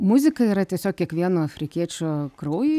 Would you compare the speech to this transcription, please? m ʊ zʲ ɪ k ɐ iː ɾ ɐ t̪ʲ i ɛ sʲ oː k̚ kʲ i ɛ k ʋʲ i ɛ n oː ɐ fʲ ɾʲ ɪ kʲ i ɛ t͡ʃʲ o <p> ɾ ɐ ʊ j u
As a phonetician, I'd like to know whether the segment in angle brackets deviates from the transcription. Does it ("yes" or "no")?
yes